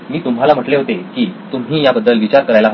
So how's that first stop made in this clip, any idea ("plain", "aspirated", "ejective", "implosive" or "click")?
plain